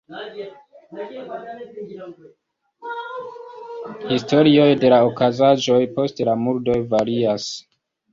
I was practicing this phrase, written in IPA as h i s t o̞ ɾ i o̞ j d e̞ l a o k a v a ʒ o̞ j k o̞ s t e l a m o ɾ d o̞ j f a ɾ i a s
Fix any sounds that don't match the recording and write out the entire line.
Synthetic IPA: h i s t o̞ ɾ i o̞ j d e̞ l a o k a z a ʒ o̞ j p o̞ s t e l a m u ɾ d o̞ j v a ɾ i a s